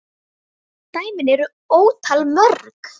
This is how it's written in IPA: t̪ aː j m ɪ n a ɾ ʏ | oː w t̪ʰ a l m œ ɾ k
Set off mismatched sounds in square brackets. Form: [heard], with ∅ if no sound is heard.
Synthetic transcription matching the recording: t̪ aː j m ɪ n [ɛ] ɾ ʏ | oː w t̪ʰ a l m œ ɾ k